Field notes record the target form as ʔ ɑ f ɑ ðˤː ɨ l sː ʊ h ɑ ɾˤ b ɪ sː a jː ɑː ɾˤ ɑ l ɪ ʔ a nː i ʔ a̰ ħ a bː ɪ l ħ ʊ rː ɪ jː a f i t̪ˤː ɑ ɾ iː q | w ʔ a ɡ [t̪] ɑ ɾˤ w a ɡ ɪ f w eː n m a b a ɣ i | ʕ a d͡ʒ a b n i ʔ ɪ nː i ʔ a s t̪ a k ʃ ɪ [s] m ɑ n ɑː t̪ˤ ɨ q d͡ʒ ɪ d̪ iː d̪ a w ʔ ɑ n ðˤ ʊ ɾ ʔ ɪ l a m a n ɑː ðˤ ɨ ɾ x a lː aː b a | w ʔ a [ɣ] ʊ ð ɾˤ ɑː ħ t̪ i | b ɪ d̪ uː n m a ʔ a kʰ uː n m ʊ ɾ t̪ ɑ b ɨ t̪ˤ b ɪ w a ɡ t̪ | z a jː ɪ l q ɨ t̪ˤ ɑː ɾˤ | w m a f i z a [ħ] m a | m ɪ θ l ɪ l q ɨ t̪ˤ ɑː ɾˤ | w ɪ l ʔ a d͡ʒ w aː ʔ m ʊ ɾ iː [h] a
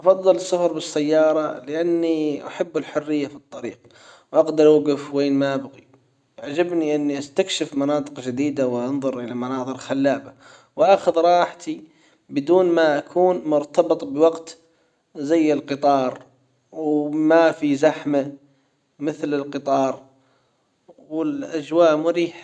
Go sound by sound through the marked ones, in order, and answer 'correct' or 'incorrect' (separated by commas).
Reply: incorrect, incorrect, incorrect, correct, incorrect